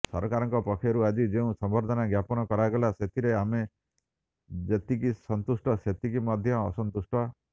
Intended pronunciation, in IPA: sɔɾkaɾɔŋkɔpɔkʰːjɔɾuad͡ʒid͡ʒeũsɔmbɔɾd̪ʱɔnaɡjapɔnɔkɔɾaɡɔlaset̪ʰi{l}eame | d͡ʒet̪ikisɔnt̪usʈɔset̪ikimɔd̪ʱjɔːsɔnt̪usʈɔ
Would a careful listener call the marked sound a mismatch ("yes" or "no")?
yes